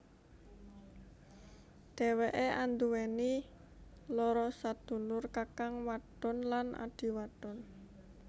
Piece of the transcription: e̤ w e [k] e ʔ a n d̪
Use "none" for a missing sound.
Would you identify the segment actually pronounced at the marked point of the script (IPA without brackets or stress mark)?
ʔ